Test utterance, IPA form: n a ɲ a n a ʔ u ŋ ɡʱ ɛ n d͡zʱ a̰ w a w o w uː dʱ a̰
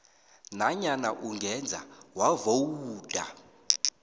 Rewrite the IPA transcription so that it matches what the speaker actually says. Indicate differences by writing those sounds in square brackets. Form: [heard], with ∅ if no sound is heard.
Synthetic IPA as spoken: n a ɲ a n a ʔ u ŋ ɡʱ ɛ n d͡zʱ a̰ w a [v] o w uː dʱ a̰